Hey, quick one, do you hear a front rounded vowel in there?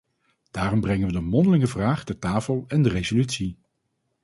yes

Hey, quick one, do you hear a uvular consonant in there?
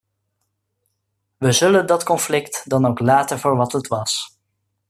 no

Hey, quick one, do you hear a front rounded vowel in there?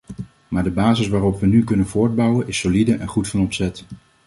yes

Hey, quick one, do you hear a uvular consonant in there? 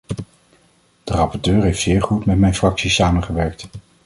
yes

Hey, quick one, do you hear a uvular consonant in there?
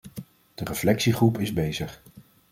yes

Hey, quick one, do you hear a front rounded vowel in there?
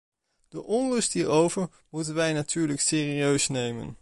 yes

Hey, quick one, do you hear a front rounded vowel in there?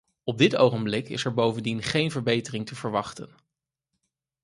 no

